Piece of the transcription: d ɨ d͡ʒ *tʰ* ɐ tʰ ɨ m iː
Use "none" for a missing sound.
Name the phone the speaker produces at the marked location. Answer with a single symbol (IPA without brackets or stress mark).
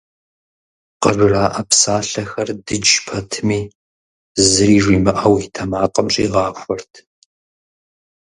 pʰ